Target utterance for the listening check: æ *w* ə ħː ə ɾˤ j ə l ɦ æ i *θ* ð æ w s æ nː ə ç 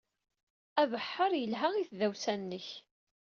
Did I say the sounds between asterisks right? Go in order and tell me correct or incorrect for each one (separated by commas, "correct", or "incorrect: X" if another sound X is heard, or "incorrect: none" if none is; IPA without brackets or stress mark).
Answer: incorrect: v, correct